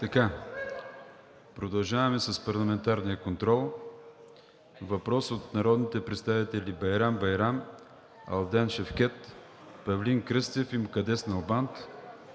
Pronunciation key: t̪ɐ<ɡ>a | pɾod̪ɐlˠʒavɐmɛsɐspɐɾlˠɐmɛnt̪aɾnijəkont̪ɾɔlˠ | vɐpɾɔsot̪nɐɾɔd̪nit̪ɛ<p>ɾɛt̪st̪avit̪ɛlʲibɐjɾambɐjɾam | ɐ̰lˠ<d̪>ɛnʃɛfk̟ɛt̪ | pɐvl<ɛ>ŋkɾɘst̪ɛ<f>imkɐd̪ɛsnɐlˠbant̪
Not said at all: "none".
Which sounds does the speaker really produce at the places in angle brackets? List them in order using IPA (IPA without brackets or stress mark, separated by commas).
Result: k, p, d̪, i, f